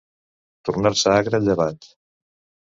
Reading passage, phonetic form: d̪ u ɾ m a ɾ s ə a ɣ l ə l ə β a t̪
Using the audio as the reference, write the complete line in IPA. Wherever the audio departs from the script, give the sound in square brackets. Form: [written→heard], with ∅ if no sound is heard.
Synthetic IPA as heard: [d̪→t̪] u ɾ [m→n] a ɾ s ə a ɣ [l→ɾ] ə [l→ʎ] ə β a t̪